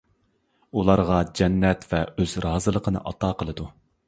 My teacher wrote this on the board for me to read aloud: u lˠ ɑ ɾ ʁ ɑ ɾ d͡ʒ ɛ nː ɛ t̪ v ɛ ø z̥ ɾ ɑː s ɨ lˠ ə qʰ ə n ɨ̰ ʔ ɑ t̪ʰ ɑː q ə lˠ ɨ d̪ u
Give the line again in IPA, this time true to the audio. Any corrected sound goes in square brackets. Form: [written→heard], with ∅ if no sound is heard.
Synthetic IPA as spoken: u lˠ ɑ ɾ ʁ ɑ [ɾ→∅] d͡ʒ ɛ nː ɛ t̪ v ɛ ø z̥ ɾ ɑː [s→z] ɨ lˠ ə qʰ ə n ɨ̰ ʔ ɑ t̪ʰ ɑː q ə lˠ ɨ d̪ u